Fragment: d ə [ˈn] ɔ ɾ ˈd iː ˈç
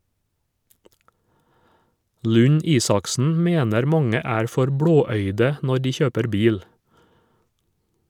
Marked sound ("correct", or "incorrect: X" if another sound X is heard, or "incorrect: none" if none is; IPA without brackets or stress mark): correct